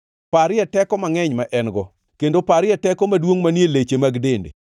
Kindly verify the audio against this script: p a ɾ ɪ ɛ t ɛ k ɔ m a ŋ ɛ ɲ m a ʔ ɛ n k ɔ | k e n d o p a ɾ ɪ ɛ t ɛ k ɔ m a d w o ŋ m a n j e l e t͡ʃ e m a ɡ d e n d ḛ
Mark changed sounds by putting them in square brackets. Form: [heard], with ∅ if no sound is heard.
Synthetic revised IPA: p a ɾ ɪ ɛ t ɛ k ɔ m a ŋ ɛ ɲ m a ʔ ɛ n [ɡ] ɔ | k e n d o p a ɾ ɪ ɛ t ɛ k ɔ m a d w o ŋ m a n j e l e t͡ʃ e m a ɡ d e n d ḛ